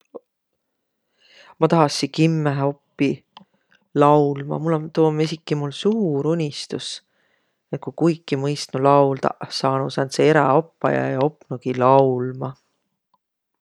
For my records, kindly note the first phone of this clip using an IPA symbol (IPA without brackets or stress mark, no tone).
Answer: m